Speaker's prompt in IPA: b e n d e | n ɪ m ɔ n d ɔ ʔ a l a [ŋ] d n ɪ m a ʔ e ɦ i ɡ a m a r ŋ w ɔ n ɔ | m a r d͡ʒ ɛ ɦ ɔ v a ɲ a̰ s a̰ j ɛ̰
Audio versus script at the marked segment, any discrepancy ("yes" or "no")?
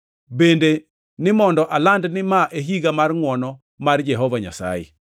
yes